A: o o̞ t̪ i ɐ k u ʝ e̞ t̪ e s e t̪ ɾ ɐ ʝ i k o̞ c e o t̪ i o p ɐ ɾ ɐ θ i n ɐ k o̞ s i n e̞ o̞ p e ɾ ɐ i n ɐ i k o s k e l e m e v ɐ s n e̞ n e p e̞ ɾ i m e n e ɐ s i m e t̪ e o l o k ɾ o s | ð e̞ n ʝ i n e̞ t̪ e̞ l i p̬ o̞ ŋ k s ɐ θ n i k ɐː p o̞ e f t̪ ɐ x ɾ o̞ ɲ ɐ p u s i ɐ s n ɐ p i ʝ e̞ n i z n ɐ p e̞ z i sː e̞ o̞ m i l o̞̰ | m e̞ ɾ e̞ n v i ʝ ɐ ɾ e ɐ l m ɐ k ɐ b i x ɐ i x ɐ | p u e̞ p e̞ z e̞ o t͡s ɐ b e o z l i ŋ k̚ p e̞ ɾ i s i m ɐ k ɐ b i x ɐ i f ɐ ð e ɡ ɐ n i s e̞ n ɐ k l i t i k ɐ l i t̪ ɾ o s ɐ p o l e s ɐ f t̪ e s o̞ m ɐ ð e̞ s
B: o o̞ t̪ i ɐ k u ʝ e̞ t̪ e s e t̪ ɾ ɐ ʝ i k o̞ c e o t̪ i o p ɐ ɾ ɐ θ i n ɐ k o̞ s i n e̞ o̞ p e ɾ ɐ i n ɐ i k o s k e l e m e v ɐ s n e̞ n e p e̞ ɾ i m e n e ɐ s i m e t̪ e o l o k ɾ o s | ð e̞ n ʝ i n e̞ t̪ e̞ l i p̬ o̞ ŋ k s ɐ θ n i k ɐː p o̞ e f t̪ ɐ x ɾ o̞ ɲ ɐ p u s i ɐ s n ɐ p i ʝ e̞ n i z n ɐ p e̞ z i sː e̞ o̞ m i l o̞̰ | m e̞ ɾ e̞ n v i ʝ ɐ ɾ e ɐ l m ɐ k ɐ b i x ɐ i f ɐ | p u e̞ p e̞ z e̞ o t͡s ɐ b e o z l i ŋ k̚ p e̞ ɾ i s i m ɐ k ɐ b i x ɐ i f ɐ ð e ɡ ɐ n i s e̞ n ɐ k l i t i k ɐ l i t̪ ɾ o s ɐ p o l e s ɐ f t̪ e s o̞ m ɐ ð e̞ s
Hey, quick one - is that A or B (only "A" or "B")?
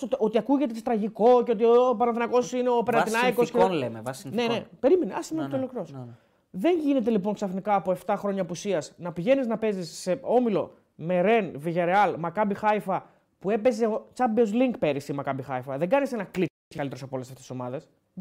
B